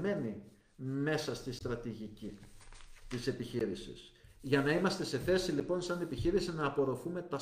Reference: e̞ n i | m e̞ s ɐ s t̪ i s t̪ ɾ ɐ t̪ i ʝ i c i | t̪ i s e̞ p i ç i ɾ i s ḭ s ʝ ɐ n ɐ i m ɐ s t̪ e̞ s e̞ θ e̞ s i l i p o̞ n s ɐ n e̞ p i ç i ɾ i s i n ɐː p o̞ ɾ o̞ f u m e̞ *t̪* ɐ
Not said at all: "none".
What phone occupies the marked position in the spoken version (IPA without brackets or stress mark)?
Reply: t̪